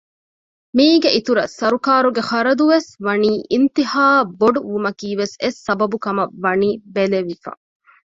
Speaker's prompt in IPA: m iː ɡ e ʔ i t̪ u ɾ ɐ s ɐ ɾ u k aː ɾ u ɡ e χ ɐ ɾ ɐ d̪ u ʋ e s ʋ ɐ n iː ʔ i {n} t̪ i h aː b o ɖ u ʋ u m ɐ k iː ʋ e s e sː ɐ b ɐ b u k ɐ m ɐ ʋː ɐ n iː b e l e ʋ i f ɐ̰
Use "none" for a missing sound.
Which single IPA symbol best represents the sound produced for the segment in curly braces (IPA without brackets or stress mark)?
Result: n